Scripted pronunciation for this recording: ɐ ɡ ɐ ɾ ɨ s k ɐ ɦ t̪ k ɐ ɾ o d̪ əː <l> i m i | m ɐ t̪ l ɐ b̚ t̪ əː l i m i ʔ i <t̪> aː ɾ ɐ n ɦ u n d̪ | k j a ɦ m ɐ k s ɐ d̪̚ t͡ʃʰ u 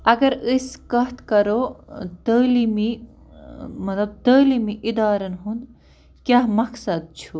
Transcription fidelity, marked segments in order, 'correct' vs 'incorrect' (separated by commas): correct, incorrect